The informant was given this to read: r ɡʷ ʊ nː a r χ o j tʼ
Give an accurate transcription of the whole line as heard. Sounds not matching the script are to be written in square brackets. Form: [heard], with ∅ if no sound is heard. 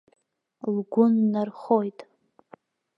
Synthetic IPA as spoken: [l] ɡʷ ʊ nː a r χ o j tʼ